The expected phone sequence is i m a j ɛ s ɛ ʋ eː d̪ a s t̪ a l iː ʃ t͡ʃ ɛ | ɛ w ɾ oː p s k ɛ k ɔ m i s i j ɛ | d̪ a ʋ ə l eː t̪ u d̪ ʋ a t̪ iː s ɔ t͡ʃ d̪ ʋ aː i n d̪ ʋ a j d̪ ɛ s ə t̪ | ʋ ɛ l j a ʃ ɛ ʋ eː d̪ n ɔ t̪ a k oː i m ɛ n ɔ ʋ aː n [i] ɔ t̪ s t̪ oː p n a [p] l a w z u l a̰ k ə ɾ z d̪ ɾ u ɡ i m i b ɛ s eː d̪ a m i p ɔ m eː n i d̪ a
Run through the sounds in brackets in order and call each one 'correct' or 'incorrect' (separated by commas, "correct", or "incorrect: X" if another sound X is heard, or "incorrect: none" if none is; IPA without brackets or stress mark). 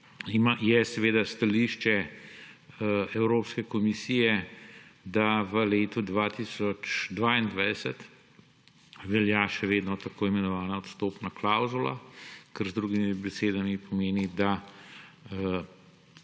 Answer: incorrect: a, incorrect: k